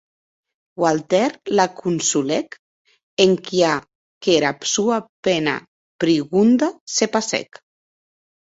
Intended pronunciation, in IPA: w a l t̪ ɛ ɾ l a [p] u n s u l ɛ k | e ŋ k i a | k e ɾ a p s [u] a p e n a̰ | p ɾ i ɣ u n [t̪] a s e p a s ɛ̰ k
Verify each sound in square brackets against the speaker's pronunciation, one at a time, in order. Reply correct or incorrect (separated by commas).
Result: incorrect, correct, incorrect